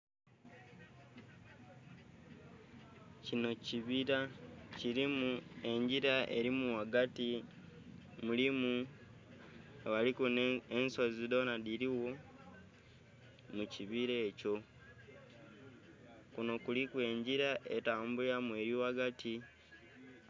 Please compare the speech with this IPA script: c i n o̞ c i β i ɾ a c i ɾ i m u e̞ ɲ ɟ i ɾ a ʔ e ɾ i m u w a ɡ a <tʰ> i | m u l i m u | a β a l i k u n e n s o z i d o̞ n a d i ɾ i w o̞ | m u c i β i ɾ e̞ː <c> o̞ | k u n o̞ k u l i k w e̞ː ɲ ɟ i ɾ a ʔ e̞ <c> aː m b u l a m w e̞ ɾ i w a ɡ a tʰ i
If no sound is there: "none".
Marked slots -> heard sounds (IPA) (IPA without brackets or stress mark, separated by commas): t, c, t